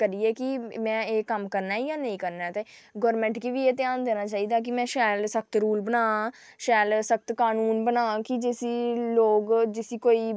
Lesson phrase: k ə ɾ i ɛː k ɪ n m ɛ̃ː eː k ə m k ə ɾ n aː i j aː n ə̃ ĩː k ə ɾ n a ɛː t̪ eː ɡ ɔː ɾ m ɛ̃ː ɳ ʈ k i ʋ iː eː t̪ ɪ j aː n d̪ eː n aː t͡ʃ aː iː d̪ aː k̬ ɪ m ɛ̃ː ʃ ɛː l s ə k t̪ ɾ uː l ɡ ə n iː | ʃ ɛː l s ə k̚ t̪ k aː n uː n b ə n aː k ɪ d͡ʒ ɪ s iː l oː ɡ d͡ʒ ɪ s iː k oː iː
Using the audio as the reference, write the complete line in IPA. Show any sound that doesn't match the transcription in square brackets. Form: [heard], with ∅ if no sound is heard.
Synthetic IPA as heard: k ə ɾ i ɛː k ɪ [∅] m ɛ̃ː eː k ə m k ə ɾ n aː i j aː n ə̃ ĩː k ə ɾ n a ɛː t̪ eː ɡ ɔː ɾ m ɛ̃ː ɳ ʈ k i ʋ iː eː t̪ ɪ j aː n d̪ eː n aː t͡ʃ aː iː d̪ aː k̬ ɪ m ɛ̃ː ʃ ɛː l s ə k t̪ ɾ uː l [b] ə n [aː] | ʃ ɛː l s ə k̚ t̪ k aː n uː n b ə n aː k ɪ d͡ʒ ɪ s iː l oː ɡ d͡ʒ ɪ s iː k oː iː

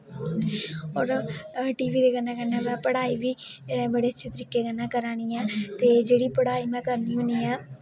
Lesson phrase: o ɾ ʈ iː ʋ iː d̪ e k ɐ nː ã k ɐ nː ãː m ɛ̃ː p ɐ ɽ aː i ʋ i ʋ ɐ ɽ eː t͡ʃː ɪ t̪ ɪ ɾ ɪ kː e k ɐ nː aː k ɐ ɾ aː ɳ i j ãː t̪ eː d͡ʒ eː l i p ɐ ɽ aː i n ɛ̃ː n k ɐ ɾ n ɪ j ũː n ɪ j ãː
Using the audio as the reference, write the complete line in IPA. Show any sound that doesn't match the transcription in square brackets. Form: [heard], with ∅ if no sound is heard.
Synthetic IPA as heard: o ɾ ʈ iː ʋ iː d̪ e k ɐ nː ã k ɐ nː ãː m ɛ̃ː p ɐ ɽ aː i ʋ i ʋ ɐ ɽ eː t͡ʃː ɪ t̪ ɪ ɾ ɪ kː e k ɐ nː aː k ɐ ɾ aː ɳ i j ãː t̪ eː d͡ʒ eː [ɽ] i p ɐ ɽ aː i [m] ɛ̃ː [∅] k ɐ ɾ n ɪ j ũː n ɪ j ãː

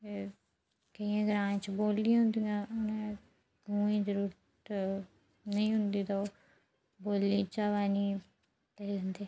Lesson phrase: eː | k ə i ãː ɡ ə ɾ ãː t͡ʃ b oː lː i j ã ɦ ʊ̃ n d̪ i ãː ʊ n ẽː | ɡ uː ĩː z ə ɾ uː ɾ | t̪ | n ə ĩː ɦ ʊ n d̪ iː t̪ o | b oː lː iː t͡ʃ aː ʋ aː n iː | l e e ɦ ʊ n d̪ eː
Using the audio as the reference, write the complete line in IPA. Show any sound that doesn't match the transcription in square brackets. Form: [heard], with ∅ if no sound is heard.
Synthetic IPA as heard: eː | k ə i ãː ɡ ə ɾ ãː t͡ʃ b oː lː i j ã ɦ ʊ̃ n d̪ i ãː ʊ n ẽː | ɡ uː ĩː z ə ɾ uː ɾ | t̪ | n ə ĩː ɦ ʊ n d̪ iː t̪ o | b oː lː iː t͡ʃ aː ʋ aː n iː | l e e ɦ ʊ n d̪ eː

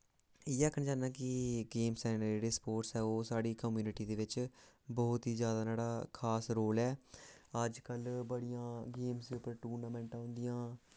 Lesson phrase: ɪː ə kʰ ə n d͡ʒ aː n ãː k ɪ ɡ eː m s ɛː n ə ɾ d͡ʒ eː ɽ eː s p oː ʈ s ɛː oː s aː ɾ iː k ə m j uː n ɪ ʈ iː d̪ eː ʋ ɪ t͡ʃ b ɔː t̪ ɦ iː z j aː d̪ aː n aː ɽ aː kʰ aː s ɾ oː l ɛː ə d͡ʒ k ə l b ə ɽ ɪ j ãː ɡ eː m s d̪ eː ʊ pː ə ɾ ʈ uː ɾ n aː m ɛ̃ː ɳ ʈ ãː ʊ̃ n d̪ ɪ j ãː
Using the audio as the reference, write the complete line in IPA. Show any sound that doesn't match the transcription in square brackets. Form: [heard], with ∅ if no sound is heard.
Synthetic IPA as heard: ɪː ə kʰ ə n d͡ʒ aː n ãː k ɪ ɡ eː m s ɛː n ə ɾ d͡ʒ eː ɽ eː s p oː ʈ s ɛː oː s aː [ɽ] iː k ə m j uː n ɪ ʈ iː d̪ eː ʋ ɪ t͡ʃ b ɔː t̪ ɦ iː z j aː d̪ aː n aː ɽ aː kʰ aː s ɾ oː l ɛː ə d͡ʒ k ə l b ə ɽ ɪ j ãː ɡ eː m s d̪ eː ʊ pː ə ɾ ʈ uː ɾ n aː m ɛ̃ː ɳ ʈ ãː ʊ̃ n d̪ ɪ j ãː

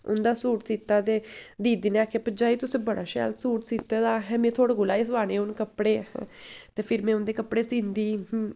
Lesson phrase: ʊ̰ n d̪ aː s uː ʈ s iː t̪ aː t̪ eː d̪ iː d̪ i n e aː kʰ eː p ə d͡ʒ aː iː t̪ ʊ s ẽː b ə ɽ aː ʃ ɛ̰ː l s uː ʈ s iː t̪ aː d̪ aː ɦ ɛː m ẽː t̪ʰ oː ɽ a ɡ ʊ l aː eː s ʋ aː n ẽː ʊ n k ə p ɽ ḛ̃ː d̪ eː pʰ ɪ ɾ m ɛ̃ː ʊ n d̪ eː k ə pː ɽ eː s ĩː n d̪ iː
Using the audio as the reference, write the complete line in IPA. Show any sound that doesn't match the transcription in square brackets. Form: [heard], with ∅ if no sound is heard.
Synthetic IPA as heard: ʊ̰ n d̪ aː s uː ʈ s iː t̪ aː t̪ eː d̪ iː d̪ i n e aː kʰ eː p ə d͡ʒ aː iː t̪ ʊ s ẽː b ə ɽ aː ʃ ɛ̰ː l s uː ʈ s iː t̪ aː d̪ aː ɦ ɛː m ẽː t̪ʰ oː ɽ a ɡ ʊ l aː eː s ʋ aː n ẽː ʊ n k ə p ɽ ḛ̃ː [t̪] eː pʰ ɪ ɾ m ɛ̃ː ʊ n d̪ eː k ə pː ɽ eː s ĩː n d̪ iː

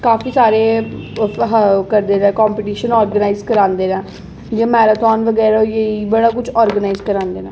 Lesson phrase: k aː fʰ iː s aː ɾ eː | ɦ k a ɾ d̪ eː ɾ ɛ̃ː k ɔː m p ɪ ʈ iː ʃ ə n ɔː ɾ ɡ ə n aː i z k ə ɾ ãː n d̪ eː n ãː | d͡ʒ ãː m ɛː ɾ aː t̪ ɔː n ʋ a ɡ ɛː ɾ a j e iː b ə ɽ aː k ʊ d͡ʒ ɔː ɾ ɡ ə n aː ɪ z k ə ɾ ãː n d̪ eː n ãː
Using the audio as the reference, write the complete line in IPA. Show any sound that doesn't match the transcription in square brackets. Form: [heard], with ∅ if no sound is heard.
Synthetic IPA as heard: k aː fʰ iː s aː ɾ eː | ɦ k [ə] ɾ d̪ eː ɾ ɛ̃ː k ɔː m p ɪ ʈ iː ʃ ə n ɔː ɾ ɡ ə n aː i z k ə ɾ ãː n d̪ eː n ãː | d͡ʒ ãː m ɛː ɾ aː t̪ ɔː n ʋ [ə] ɡ ɛː ɾ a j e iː b ə ɽ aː k ʊ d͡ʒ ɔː ɾ ɡ ə n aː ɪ z k ə ɾ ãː n d̪ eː n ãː

